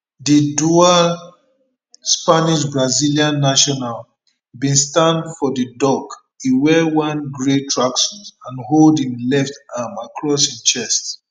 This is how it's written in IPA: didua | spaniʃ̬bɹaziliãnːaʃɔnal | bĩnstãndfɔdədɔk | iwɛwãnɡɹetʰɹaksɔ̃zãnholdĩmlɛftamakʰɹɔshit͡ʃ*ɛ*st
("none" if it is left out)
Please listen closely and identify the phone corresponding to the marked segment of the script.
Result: ɛ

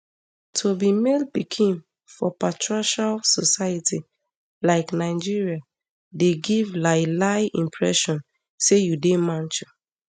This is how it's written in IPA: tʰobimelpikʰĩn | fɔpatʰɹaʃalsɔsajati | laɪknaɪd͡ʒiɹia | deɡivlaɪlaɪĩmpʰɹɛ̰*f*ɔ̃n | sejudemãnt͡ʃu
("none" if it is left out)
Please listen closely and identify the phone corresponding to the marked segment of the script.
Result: ʃ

